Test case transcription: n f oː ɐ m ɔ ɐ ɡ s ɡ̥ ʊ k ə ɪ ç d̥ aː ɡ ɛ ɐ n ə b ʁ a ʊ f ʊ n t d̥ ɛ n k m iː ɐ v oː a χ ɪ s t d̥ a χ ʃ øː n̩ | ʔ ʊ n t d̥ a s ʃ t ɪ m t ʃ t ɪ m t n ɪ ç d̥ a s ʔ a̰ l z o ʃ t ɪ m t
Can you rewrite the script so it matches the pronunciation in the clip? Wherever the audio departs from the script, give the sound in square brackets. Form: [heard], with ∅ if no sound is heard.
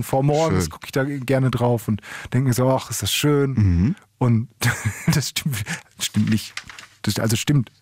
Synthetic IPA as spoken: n f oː ɐ m ɔ ɐ ɡ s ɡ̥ ʊ k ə ɪ ç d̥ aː ɡ ɛ ɐ n ə [d] ʁ a ʊ f ʊ n t d̥ ɛ [ŋ] k m iː ɐ [z] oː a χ ɪ s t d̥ a [s] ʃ øː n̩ | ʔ ʊ n t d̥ a s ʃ t ɪ m t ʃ t ɪ m t n ɪ ç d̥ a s ʔ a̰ l z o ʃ t ɪ m t